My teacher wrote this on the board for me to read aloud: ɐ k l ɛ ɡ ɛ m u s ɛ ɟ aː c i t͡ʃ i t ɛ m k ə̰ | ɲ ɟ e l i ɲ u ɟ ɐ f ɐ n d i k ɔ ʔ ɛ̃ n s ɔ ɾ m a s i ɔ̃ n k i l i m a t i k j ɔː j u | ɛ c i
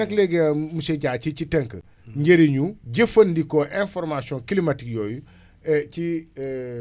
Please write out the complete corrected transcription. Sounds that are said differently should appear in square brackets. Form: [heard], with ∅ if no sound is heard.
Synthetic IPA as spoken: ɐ k l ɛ ɡ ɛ m u s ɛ ɟ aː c i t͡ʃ i t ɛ [ŋ] k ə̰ | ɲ ɟ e [ɾ] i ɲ u ɟ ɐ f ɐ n d i k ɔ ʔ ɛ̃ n [f] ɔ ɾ m a s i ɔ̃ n k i l i m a t i k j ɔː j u | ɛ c i